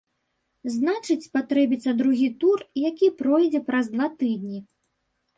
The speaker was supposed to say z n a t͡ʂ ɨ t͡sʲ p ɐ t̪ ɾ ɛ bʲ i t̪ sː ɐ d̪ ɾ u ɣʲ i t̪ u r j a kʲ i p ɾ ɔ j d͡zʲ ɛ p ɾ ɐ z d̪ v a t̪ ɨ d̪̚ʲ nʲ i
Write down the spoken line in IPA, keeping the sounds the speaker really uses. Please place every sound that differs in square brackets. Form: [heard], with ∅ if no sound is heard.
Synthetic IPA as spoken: z n a t͡ʂ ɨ t͡sʲ p [a] t̪ ɾ ɛ bʲ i t̪ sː ɐ d̪ ɾ u ɣʲ i t̪ u r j a kʲ i p ɾ ɔ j d͡zʲ ɛ p ɾ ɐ z d̪ v a t̪ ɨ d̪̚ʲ nʲ i